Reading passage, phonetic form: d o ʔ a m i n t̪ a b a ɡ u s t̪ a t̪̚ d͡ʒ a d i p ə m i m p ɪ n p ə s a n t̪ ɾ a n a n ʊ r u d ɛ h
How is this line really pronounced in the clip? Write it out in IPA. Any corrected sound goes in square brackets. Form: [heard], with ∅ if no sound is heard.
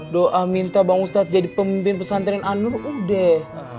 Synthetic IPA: d o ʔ a m i n t̪ a b a [ŋ] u s t̪ a t̪̚ d͡ʒ a d i p ə m i m p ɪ n p ə s a n t̪ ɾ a n a n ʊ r u d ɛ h

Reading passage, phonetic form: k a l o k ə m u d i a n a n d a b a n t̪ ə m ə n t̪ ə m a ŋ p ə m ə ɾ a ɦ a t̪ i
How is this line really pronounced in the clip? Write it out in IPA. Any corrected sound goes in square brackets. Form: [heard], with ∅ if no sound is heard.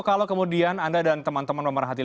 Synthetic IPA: k a l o k ə m u d i a n a n d a [d] a n t̪ ə m [a] n t̪ ə m a [n] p ə m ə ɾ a ɦ a t̪ i

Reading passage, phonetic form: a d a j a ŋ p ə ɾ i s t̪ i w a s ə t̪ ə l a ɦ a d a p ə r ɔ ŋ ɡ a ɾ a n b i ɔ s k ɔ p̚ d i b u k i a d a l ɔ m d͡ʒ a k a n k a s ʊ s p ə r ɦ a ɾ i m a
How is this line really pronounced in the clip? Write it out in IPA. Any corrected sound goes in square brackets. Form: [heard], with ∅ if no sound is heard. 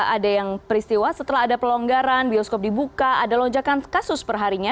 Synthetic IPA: a d a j a ŋ p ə ɾ i s t̪ i w a s ə t̪ ə l a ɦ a d a p ə [l] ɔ ŋ ɡ a ɾ a n b i ɔ s k ɔ p̚ d i b u k [a] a d a l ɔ [ɲ] d͡ʒ a k a n k a s ʊ s p ə r ɦ a ɾ i [ɲ] a

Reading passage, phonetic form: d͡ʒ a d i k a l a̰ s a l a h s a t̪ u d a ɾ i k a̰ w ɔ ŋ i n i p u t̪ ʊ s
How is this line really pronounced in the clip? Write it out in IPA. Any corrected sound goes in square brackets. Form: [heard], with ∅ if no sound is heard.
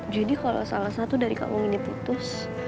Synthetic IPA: d͡ʒ a d i k a l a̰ s a l a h s a t̪ u d a ɾ i k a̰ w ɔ ŋ i n i p u t̪ ʊ s

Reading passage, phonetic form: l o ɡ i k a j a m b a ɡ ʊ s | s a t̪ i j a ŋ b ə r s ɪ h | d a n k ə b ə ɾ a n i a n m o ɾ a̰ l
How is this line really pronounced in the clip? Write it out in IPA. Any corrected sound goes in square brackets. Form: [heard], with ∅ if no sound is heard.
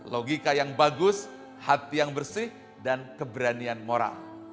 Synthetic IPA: l o ɡ i k a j a [ŋ] b a ɡ ʊ s | [h] a t̪ i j a ŋ b ə r s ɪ h | d a n k ə b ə ɾ a n i a n m o ɾ a̰ l

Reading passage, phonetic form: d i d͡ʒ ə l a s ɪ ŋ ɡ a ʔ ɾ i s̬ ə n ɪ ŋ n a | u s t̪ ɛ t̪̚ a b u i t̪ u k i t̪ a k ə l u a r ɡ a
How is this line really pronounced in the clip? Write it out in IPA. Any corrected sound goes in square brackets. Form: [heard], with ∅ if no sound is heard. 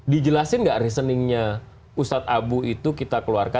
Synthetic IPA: d i d͡ʒ ə l a s ɪ [n] ɡ a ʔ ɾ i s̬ ə n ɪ ŋ [ɲ] a | u s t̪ [a] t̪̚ a b u i t̪ u k i t̪ a k ə l u a r [k] a

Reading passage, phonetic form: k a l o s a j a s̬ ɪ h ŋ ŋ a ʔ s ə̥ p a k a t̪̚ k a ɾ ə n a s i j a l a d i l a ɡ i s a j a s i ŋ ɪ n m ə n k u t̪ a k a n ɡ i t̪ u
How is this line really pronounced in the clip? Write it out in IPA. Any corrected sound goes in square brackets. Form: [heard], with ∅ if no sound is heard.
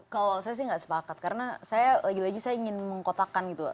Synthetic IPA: k a l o s a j a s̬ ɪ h ŋ [ɡ] a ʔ s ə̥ p a k a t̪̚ k a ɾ ə n a s [a] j a l a [ɡ] i l a ɡ i s a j a [∅] i ŋ ɪ n m ə [ŋ] k [o] t̪ a k a n ɡ i t̪ u

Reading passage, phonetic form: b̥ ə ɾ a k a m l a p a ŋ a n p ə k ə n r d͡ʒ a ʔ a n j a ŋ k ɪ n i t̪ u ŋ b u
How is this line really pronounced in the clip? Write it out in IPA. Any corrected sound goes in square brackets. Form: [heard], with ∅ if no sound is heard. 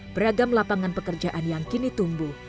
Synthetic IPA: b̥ ə ɾ a [ɡ] a m l a p a ŋ a n p ə k ə [∅] r d͡ʒ a ʔ a n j a ŋ k [i] n i t̪ u [m] b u

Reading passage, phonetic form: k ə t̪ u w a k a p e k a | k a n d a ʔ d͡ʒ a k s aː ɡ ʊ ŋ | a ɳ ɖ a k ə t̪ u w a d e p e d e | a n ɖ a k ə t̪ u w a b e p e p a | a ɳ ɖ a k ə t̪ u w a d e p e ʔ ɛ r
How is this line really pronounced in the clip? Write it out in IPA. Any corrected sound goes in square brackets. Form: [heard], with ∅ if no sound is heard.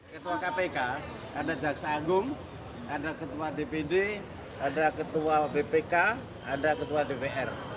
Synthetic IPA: k ə t̪ u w a k a p e k a | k a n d a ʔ d͡ʒ a k s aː ɡ ʊ ŋ | a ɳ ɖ a k ə t̪ u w a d e p e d e | a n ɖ a k ə t̪ u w a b e p e [k] a | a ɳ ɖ a k ə t̪ u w a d e p e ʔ ɛ r

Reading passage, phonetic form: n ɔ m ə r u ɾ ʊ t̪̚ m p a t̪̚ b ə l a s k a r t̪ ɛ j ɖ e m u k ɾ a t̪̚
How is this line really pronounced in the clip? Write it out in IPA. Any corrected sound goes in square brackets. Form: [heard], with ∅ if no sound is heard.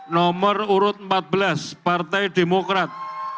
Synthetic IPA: n ɔ m ə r u ɾ ʊ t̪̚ m p a t̪̚ b ə l a s [p] a r t̪ ɛ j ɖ e m [o] k ɾ a t̪̚

